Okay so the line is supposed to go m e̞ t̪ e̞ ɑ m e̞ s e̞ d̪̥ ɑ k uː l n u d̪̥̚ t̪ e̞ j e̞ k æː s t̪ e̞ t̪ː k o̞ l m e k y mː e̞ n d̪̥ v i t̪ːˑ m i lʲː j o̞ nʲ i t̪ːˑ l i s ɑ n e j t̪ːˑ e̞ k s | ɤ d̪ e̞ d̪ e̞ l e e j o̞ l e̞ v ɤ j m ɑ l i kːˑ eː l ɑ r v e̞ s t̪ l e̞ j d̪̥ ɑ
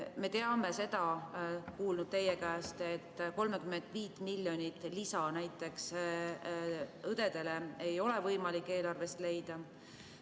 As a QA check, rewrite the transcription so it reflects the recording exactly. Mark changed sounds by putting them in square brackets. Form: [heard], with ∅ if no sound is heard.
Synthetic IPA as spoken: m e̞ t̪ e̞ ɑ m e̞ s e̞ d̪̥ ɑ k uː l n u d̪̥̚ t̪ e̞ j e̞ k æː s t̪ e̞ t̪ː k o̞ l m e k y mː e̞ n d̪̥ v [iː] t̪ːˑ m i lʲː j o̞ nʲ i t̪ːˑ l i s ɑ n [æ] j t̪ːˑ e̞ k s | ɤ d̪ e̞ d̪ e̞ l e e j o̞ l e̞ v ɤ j m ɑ l i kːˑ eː l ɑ r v e̞ s t̪ l e̞ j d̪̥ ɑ